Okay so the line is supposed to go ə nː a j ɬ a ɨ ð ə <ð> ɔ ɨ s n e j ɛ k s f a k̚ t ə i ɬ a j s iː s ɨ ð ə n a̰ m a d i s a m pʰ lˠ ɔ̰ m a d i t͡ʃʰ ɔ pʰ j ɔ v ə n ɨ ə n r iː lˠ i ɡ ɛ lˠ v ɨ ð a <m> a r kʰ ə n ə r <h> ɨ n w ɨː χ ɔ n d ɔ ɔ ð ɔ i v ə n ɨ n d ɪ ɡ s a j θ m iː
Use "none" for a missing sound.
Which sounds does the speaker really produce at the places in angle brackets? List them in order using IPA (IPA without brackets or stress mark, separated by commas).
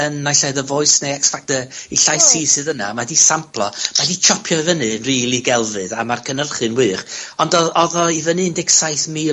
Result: v, m, χ